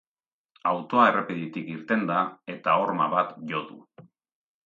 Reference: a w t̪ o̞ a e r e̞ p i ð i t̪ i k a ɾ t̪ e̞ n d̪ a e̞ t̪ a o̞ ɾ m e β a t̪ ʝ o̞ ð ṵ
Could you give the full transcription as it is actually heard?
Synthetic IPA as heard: a w t̪ o̞ a e r e̞ p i ð i t̪ i k i ɾ t̪ e̞ n d̪ a e̞ t̪ a o̞ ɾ m a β a t̪ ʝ o̞ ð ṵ